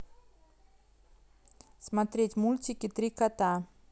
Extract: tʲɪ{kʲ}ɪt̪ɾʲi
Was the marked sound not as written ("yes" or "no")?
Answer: no